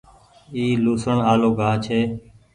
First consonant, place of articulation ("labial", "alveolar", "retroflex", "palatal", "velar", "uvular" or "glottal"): alveolar